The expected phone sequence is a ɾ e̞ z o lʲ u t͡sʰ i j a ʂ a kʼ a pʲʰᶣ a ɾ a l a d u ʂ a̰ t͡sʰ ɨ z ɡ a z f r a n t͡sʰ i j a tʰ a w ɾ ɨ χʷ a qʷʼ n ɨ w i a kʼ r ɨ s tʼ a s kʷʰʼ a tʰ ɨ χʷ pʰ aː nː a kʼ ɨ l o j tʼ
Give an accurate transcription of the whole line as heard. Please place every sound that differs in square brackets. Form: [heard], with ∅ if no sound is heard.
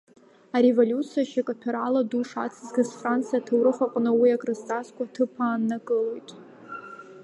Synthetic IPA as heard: a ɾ e̞ [v] o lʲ u t͡sʰ i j a [ʃ] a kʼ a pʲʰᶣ a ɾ a l a d u ʂ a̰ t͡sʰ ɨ z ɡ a z f r a n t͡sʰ i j a tʰ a w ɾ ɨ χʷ a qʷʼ n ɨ w i a kʼ r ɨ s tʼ a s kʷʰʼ a tʰ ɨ [∅] pʰ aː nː a kʼ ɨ l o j tʼ

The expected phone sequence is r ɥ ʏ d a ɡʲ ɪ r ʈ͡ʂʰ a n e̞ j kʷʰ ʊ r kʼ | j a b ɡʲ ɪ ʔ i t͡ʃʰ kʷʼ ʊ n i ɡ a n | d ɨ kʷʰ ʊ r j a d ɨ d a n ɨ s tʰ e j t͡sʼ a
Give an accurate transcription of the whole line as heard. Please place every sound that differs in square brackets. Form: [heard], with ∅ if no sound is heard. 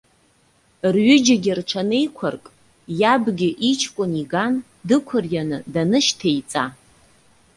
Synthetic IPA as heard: r ɥ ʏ [d͡ʒ] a ɡʲ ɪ r ʈ͡ʂʰ a n e̞ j kʷʰ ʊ r kʼ | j a b ɡʲ ɪ ʔ i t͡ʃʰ kʷʼ ʊ n i ɡ a n | d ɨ kʷʰ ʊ r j a [n] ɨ d a n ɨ [ʃ] tʰ e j t͡sʼ a

